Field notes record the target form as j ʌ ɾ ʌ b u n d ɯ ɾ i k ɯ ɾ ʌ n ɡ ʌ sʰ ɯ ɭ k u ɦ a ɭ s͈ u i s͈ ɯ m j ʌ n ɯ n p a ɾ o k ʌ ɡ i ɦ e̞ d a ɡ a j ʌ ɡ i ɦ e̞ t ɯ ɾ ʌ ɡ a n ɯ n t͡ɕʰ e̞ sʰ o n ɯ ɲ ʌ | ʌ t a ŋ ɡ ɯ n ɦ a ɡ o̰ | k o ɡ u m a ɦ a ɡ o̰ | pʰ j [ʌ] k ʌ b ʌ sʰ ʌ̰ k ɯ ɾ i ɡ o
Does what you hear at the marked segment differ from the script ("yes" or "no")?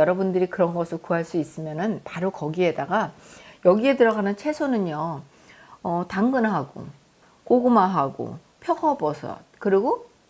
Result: no